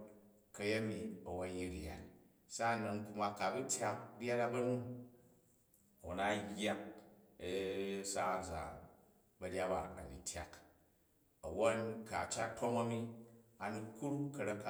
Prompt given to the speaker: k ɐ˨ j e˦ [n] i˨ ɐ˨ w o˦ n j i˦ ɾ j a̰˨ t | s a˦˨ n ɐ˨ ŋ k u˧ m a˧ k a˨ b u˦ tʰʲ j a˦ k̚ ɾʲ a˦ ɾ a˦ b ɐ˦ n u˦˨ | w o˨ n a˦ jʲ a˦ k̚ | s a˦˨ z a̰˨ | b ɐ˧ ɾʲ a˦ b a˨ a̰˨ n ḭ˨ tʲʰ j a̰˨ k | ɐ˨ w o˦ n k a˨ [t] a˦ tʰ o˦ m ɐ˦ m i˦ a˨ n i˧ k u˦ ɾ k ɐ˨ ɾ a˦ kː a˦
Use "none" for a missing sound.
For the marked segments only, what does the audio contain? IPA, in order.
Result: m, t͡ʃ

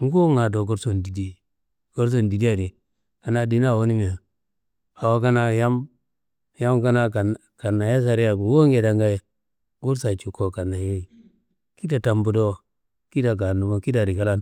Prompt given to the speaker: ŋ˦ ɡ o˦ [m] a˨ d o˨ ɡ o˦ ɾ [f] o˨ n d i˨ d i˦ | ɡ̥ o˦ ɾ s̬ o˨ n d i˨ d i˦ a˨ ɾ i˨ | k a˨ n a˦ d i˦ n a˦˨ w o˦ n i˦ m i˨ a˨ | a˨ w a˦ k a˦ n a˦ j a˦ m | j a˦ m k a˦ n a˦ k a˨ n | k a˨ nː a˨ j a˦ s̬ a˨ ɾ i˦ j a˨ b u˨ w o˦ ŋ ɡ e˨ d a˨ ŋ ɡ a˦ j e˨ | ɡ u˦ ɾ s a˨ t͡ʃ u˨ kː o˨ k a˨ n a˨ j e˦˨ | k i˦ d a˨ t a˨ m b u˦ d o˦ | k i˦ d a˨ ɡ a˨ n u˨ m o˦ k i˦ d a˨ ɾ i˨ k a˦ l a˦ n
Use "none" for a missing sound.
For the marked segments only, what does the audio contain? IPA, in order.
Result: ŋ, s

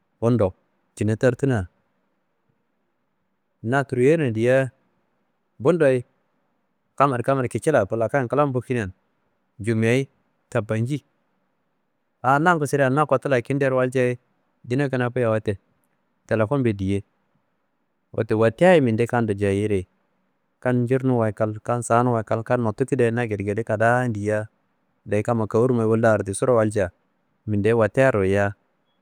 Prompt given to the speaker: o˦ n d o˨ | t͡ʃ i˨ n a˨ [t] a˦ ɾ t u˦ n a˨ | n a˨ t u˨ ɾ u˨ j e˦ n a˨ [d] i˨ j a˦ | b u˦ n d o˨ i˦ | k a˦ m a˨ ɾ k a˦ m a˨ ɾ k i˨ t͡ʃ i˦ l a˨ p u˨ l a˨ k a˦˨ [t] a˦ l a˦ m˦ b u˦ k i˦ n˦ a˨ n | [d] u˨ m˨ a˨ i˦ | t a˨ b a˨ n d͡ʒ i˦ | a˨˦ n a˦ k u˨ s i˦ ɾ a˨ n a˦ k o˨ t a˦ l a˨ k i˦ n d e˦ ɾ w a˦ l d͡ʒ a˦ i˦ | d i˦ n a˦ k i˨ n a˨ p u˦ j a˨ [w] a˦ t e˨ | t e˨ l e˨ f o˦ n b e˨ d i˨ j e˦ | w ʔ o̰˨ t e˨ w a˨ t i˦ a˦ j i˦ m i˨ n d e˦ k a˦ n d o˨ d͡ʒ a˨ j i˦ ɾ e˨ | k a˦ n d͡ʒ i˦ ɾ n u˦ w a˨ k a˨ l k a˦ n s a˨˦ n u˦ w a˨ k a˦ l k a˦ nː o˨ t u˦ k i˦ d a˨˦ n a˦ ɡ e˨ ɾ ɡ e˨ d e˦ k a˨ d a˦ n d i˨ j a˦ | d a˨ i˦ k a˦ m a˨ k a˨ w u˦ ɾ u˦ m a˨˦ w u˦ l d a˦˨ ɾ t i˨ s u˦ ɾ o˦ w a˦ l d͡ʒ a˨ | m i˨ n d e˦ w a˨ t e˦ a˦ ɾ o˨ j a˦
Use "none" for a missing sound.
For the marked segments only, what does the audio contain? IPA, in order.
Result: t, d, k, d͡ʒ, w

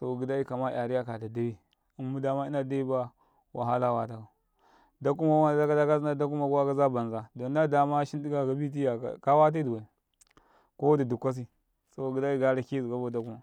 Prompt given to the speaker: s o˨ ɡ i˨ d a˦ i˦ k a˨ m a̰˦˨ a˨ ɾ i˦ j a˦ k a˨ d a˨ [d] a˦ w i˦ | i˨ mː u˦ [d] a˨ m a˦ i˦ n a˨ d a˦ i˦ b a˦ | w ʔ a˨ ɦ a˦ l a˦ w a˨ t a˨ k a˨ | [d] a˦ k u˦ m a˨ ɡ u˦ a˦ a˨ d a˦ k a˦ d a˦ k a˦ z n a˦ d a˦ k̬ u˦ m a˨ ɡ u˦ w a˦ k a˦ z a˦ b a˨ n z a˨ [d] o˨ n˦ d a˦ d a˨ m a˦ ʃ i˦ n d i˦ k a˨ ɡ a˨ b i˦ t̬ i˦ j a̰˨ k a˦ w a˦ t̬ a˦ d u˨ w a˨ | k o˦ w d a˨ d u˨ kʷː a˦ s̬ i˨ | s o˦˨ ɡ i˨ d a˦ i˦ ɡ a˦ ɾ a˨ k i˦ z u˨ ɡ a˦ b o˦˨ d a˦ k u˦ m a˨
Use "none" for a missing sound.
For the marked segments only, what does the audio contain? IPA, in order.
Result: d, d, d, d

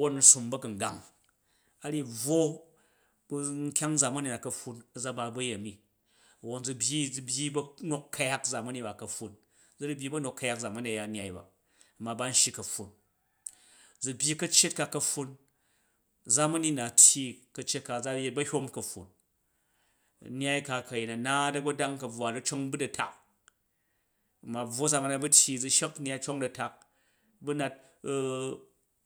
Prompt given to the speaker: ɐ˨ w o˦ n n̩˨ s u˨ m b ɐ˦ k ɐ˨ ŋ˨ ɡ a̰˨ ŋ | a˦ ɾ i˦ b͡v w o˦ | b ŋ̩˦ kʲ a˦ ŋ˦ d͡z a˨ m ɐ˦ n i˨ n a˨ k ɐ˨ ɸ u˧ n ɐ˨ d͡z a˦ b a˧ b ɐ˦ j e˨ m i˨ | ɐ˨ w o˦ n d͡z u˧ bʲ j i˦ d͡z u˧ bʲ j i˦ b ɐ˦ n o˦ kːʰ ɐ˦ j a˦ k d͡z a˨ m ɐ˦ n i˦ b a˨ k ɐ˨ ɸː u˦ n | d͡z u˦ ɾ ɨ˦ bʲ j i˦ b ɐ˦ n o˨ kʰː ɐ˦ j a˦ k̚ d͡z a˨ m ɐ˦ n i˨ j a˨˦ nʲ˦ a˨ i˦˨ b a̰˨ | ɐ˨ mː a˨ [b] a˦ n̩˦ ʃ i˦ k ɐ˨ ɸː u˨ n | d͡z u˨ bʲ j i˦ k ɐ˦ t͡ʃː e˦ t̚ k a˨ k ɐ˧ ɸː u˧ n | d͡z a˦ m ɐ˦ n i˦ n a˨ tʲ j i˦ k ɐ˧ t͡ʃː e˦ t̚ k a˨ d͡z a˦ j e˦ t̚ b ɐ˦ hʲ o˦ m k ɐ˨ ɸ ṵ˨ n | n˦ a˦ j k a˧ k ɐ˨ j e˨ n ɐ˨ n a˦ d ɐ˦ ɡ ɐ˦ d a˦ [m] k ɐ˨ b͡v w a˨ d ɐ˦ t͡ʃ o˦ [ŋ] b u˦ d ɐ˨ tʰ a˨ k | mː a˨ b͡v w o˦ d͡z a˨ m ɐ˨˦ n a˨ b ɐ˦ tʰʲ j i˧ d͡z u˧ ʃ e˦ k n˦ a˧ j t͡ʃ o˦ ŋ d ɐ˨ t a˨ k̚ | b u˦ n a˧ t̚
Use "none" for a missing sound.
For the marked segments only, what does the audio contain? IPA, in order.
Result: b, ŋ, ŋ

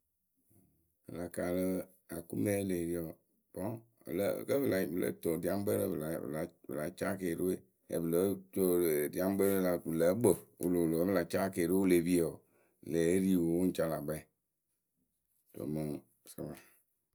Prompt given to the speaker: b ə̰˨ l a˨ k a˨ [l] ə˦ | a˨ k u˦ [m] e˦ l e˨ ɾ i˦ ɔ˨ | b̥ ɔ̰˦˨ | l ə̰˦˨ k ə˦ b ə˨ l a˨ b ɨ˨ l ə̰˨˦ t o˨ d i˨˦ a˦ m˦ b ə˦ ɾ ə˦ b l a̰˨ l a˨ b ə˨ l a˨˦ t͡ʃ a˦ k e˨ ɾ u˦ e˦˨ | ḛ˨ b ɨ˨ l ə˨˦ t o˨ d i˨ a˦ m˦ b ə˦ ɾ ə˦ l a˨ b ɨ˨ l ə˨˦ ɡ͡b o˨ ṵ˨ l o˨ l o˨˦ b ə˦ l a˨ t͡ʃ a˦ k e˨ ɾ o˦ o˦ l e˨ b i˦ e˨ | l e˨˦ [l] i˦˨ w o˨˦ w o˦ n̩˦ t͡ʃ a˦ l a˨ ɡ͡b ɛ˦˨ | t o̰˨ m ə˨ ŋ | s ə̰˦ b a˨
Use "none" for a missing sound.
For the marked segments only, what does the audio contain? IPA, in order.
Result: l, m, ɾ

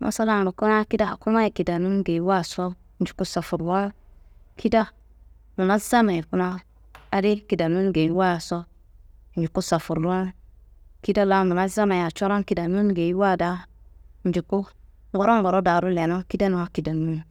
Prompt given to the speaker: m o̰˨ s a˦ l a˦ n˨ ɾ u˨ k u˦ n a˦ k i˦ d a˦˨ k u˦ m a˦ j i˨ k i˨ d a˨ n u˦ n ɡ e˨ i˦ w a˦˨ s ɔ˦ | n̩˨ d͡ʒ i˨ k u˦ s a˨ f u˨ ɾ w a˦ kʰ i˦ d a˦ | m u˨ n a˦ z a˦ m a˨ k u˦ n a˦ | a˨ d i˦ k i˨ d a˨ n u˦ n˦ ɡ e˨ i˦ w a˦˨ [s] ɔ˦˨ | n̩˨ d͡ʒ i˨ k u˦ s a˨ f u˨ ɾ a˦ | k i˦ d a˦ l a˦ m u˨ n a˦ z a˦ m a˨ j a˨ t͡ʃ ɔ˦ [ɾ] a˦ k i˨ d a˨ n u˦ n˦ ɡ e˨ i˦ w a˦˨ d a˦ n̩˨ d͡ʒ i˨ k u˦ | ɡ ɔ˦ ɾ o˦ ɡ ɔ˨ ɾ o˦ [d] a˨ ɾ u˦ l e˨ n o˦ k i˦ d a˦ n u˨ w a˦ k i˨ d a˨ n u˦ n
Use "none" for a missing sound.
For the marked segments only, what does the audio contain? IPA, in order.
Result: s, ɾ, d

